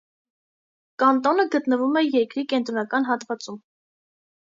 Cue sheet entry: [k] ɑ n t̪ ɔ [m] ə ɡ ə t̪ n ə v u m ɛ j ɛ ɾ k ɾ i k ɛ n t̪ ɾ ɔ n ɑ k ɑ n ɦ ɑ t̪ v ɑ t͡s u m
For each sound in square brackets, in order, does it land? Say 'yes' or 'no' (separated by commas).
yes, no